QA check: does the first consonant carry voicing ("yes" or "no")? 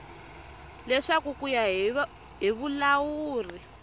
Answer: yes